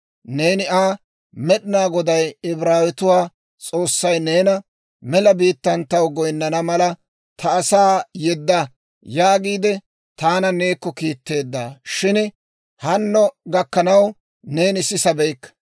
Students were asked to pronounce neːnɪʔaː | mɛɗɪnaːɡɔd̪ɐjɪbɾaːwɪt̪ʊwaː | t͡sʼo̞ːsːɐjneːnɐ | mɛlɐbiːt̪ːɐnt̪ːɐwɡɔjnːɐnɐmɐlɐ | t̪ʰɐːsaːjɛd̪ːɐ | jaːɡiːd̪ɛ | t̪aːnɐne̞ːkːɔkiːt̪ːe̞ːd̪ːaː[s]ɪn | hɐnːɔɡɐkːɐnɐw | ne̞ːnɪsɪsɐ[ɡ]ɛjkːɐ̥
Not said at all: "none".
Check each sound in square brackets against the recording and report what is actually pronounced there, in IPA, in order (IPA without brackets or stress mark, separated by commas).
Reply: ʃ, b